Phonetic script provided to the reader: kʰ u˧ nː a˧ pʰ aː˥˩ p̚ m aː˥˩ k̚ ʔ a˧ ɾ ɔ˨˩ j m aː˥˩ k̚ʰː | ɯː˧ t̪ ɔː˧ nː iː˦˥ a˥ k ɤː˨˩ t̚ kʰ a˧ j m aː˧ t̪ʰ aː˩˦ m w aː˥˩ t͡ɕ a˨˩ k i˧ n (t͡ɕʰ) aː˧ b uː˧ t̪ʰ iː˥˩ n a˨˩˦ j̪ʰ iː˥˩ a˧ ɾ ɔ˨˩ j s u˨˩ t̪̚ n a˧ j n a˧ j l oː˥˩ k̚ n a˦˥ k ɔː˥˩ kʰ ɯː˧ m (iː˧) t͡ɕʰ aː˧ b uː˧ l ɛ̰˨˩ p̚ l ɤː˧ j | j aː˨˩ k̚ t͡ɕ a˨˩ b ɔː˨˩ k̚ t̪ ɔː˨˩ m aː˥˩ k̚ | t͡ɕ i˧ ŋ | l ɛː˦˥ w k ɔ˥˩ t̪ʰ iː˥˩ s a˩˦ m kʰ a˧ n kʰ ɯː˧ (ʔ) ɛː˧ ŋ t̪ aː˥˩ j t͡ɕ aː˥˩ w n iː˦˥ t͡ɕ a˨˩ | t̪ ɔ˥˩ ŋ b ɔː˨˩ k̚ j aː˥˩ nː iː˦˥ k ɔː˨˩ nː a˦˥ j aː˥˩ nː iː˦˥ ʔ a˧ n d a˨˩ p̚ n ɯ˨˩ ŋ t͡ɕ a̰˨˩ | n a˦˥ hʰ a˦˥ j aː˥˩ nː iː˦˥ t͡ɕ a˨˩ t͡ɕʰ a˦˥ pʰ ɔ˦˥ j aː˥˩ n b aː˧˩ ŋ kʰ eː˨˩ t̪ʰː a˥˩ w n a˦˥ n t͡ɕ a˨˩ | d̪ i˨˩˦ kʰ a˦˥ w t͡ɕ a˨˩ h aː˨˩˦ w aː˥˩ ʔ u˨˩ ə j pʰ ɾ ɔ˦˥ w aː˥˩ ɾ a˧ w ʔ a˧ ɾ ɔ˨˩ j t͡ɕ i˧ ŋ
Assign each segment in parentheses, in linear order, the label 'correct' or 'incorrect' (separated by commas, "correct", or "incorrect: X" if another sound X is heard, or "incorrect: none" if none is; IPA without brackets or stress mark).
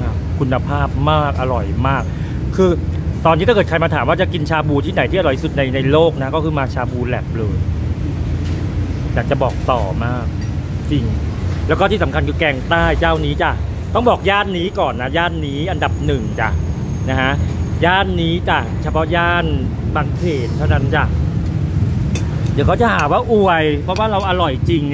correct, incorrect: aː˧, incorrect: k